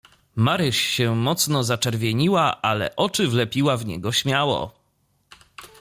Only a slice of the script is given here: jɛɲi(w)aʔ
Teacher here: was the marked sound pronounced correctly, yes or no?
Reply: yes